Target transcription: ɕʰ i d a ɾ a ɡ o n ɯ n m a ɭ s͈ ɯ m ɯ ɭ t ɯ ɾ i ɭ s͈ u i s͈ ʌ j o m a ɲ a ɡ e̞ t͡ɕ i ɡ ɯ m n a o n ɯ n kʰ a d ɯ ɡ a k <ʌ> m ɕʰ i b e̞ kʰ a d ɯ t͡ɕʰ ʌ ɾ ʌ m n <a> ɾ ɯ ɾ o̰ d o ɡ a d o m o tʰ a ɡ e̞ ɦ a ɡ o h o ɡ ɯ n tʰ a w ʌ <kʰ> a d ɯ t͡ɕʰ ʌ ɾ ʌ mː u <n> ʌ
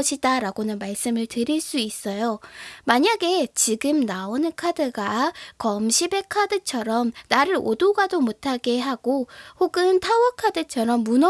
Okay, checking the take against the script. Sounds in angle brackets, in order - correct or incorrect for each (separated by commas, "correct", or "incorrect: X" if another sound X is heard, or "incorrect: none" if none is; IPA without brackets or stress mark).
correct, correct, correct, correct